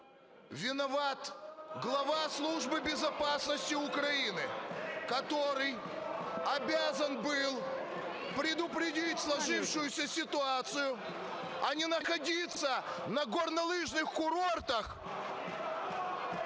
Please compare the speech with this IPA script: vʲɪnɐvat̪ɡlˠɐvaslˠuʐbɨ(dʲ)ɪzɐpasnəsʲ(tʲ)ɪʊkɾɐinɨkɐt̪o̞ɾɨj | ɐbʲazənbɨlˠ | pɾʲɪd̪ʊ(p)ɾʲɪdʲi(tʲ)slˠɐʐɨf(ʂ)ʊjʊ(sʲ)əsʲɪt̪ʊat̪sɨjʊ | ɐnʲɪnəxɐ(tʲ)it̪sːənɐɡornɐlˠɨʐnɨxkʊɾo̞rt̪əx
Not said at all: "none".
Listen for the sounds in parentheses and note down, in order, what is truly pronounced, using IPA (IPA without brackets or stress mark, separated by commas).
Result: bʲ, tʲ, p, tʲ, ʂ, sʲ, dʲ